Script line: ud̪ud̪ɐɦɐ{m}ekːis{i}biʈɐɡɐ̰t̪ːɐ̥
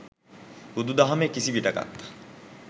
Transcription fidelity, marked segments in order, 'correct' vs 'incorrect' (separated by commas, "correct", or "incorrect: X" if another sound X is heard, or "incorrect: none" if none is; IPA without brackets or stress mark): correct, correct